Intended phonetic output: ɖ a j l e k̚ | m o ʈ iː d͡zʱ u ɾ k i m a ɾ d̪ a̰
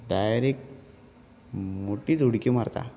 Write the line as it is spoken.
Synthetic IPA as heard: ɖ a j ɾ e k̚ | m o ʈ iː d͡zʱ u ɽ k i m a ɾ t̪ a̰